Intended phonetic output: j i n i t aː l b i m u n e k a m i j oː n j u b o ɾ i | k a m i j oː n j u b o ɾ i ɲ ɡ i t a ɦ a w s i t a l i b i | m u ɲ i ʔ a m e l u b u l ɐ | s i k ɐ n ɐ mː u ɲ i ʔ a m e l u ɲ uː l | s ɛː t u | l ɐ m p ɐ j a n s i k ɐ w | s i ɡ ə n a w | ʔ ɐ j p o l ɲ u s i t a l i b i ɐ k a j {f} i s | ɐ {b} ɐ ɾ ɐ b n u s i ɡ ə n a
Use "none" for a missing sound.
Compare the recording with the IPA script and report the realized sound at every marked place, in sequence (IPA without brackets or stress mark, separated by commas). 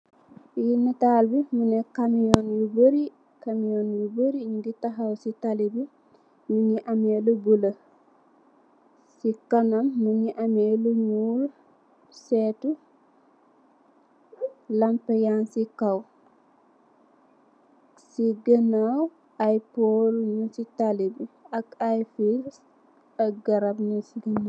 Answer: f, ɡ